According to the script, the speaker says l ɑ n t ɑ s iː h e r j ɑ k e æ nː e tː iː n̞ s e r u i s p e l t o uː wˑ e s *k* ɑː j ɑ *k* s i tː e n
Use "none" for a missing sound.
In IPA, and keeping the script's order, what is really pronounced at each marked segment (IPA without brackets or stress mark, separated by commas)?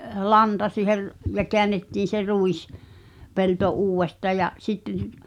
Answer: t, ʔ